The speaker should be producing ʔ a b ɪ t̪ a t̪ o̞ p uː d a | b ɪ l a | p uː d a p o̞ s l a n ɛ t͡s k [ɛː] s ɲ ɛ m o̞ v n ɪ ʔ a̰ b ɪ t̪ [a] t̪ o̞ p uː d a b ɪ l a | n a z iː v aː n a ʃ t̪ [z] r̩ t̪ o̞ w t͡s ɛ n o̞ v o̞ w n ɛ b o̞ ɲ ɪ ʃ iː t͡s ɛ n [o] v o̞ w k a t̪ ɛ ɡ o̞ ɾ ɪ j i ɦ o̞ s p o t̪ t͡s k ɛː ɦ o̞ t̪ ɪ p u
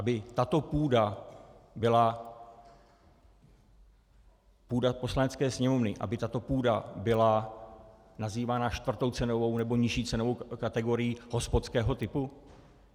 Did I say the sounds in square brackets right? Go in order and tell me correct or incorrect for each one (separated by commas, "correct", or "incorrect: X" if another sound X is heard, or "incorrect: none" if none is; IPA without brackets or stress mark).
correct, correct, incorrect: v, correct